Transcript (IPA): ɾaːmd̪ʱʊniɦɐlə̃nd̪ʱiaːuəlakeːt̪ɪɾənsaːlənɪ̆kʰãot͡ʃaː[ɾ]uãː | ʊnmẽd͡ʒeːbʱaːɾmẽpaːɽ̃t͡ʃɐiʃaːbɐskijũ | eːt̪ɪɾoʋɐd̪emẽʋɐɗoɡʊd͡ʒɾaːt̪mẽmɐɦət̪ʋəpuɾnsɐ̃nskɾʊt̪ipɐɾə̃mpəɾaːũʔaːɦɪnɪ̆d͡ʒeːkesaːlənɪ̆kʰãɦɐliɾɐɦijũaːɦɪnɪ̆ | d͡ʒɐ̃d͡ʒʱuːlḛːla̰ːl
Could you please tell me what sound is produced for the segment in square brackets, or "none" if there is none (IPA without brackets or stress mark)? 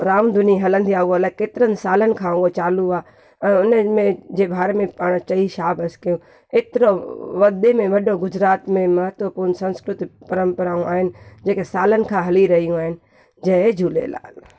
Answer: l